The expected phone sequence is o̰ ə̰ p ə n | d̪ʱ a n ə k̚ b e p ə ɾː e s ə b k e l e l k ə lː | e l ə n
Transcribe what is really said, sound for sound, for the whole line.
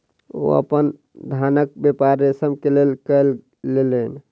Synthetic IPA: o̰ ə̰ p ə n | d̪ʱ a n ə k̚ b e p a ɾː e s ə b k e l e l k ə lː | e l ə n